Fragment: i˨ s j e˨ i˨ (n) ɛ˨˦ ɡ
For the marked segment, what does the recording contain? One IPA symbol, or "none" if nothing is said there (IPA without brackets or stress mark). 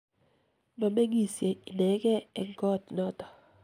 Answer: n